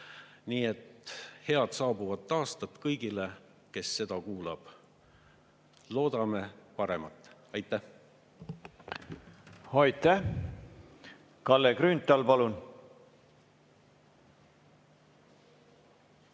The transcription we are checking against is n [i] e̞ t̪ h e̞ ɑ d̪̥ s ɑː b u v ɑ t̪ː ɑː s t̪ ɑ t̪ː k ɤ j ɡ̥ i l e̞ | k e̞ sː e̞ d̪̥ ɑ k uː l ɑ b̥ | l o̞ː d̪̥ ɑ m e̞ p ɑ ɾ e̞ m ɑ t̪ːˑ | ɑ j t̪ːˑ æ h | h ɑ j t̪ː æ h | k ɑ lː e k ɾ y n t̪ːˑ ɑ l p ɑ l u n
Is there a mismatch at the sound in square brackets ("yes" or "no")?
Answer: yes